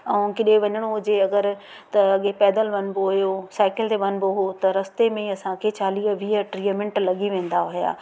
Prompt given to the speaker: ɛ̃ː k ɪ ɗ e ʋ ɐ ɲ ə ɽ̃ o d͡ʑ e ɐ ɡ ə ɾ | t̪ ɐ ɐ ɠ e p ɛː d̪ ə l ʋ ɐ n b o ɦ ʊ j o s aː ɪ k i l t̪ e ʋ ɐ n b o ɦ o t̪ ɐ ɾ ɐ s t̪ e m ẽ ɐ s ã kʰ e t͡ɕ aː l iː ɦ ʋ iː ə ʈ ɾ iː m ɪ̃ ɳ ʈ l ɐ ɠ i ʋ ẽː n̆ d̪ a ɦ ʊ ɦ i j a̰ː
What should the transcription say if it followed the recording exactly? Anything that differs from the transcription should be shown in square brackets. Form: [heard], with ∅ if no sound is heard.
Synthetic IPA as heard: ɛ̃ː k ɪ ɗ e ʋ ɐ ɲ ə ɽ̃ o d͡ʑ e ɐ ɡ ə ɾ | t̪ ɐ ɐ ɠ e p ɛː d̪ ə l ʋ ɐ n b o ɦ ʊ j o s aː ɪ k [ɪ] l t̪ e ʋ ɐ n b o ɦ o t̪ ɐ ɾ ɐ s t̪ e m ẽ ɐ s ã kʰ e t͡ɕ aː l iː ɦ ʋ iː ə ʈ ɾ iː m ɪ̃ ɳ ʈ l ɐ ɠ i ʋ ẽː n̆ d̪ a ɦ ʊ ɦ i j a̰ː